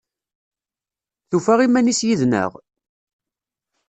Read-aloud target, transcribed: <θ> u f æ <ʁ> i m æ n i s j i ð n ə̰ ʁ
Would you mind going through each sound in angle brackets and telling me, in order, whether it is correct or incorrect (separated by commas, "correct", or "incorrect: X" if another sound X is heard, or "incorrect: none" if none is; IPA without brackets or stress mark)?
correct, correct